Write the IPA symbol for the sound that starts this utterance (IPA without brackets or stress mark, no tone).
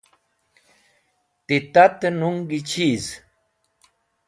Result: t̪